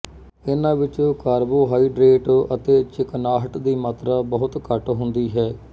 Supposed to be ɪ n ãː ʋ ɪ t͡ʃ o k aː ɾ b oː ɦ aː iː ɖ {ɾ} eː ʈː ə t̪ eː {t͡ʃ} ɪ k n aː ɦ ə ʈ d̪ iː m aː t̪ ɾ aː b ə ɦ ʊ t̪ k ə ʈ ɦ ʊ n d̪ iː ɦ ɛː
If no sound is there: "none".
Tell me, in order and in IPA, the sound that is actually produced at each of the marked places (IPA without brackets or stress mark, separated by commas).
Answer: ɾ, t͡ʃ